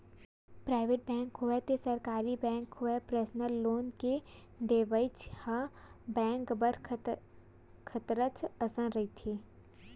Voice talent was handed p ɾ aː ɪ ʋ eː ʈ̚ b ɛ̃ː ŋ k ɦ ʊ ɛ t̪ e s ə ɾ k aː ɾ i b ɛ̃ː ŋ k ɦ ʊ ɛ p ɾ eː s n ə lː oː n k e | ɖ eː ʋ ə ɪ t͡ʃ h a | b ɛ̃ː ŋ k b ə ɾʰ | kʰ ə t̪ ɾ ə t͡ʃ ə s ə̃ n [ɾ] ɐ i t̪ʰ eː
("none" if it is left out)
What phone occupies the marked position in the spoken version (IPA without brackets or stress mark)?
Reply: ɾ